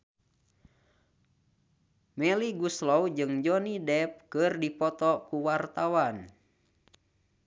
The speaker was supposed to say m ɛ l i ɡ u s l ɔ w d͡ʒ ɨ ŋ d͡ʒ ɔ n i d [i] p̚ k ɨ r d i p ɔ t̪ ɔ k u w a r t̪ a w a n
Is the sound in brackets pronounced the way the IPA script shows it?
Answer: no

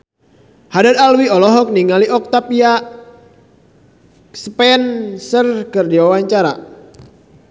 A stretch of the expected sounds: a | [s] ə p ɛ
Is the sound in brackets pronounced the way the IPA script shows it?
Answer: yes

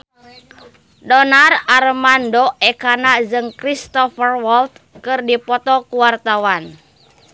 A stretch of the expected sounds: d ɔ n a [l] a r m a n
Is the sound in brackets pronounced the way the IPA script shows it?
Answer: no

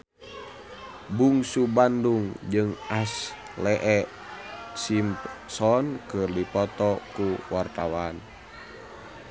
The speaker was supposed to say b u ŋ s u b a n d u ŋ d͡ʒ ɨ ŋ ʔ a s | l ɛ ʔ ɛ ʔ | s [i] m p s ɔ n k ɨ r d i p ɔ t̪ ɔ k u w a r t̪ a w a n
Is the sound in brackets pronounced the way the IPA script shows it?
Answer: yes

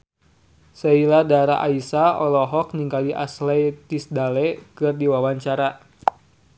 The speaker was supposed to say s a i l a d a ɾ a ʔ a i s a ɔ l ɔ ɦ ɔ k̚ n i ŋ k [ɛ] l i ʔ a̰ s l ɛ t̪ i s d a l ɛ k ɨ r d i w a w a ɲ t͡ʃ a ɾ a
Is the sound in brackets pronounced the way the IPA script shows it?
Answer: no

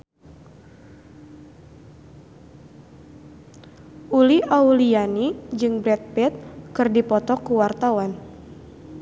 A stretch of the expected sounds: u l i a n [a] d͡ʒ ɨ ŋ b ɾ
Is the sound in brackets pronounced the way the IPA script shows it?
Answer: no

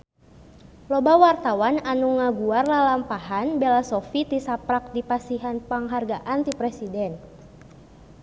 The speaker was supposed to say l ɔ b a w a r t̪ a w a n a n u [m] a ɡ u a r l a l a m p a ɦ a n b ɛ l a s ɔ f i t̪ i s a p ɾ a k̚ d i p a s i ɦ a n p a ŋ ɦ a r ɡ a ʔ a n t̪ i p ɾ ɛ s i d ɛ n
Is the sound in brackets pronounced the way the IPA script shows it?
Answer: no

